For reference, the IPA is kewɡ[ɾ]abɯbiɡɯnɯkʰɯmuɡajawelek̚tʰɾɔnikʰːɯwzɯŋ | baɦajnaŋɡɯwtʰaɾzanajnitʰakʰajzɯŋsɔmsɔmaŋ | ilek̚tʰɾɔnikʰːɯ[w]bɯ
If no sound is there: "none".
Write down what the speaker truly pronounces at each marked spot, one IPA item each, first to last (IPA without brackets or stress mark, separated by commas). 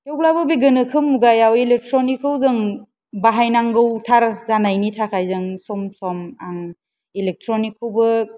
l, w